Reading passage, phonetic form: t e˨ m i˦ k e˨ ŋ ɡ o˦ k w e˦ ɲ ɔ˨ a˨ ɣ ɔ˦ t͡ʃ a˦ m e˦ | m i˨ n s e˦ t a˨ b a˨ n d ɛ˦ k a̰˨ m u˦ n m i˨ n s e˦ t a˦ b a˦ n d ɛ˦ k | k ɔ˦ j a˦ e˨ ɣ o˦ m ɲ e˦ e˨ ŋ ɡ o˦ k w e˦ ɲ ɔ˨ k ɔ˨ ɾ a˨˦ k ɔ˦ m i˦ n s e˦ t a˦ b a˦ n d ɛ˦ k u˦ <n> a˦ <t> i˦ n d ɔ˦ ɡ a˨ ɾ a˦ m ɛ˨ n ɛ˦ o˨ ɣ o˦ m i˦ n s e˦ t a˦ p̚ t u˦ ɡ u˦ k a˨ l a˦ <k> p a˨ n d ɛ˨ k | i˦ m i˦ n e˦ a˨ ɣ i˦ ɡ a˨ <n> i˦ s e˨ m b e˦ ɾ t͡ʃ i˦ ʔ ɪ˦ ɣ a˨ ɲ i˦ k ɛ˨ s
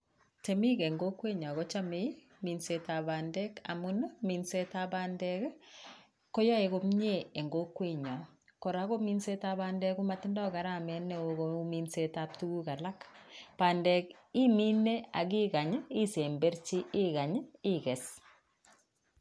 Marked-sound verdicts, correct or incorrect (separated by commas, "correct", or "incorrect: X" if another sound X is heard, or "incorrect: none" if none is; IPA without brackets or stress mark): incorrect: m, correct, correct, incorrect: ɲ